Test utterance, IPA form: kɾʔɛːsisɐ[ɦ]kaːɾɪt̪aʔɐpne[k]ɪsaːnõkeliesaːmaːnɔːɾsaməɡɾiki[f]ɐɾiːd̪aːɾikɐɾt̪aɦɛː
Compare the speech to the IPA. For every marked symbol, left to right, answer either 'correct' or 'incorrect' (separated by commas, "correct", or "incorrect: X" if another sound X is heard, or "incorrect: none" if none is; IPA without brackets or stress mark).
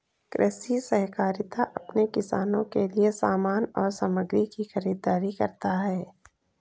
correct, correct, incorrect: x